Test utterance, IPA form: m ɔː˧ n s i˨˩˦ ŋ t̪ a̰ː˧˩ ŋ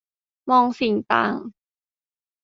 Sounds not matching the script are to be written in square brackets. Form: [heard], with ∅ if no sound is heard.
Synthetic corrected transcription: m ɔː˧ [ŋ] s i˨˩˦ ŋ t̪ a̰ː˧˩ ŋ